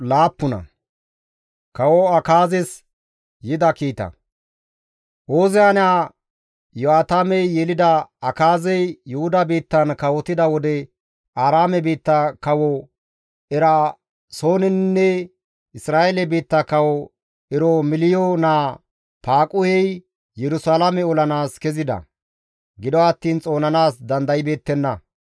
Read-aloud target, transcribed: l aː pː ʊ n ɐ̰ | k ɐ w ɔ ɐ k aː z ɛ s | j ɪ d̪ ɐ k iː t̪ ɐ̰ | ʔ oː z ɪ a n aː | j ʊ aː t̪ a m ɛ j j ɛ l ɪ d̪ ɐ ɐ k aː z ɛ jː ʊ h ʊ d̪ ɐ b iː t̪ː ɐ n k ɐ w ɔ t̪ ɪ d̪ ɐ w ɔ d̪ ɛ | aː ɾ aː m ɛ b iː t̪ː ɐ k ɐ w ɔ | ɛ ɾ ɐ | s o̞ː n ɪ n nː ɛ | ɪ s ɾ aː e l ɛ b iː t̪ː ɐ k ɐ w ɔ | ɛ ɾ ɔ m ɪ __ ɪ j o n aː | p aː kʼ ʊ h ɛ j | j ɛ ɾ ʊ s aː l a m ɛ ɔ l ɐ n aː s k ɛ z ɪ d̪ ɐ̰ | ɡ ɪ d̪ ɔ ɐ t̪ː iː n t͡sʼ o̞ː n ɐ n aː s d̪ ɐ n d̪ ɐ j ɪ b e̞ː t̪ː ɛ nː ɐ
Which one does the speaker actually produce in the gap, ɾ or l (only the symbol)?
l